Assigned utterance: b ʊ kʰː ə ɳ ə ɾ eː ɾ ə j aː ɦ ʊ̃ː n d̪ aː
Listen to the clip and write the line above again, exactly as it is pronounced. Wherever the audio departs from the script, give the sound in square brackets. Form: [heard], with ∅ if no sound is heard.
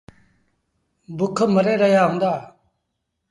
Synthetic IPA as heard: b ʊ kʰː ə [m] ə ɾ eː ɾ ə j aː ɦ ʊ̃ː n d̪ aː